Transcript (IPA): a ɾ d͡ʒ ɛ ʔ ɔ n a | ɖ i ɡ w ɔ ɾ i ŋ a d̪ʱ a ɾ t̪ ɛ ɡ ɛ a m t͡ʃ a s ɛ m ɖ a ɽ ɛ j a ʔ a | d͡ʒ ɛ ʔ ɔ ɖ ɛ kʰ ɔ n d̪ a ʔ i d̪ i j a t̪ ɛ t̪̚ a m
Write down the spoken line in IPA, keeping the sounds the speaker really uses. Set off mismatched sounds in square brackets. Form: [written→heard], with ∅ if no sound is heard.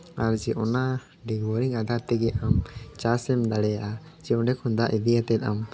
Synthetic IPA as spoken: a ɾ d͡ʒ ɛ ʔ ɔ n a | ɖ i ɡ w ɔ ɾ i ŋ a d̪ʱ a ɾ t̪ ɛ ɡ ɛ a m t͡ʃ a s ɛ m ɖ a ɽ ɛ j a ʔ a | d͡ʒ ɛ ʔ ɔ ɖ ɛ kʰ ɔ n d̪ a ʔ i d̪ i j a t̪ ɛ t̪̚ a m